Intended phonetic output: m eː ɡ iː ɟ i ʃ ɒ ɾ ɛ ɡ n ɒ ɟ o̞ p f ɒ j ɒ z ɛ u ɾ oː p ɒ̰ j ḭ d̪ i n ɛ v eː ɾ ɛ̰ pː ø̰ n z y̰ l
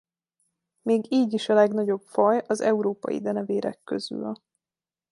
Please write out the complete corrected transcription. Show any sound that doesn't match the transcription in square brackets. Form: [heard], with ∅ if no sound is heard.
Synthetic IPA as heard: m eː ɡ iː ɟ i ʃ ɒ [l] ɛ ɡ n ɒ ɟ o̞ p f ɒ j ɒ z ɛ u ɾ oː p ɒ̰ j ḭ d̪ [ɛ] n ɛ v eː ɾ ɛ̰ [kː] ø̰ [∅] z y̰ l